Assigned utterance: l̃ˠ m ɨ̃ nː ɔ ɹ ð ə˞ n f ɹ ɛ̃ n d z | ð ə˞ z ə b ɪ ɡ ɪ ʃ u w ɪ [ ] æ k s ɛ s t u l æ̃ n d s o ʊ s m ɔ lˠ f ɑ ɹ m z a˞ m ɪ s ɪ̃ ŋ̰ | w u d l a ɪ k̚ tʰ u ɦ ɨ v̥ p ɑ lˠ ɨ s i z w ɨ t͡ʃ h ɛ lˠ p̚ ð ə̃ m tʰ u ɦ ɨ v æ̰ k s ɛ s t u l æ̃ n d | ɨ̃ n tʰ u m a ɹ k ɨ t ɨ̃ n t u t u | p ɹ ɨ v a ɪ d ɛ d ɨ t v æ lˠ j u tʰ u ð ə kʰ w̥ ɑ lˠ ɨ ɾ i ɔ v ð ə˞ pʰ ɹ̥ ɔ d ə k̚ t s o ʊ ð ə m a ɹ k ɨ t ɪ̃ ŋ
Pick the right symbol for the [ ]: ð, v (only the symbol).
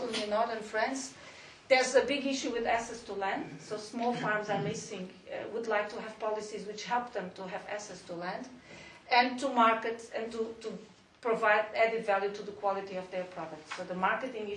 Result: ð